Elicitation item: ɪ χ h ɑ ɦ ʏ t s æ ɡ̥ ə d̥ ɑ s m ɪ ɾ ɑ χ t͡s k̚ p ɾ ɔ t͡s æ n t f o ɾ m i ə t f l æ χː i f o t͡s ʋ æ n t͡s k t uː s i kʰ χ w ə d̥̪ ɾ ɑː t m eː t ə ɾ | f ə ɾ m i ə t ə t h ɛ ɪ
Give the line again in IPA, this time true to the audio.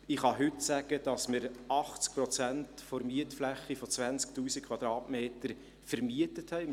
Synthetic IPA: ɪ χ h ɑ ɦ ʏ t s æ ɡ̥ ə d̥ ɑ s m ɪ ɾ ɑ χ t͡s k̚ p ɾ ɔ t͡s æ n t f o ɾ m i ə t f l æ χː i f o t͡s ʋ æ n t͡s k t uː s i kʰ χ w ɑ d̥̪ ɾ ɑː t m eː t ə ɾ | f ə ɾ m i ə t ə t h ɛ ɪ